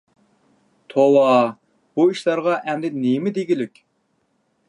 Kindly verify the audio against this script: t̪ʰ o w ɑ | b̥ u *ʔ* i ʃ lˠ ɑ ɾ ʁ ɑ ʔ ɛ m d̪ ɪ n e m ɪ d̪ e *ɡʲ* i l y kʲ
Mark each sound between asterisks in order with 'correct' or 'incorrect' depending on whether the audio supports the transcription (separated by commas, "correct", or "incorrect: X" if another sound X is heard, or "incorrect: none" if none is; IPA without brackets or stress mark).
incorrect: none, correct